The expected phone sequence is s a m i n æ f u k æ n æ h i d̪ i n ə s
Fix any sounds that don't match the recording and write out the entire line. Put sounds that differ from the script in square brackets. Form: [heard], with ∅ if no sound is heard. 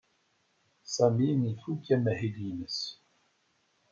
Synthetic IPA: s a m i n [i] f u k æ [m] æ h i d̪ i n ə s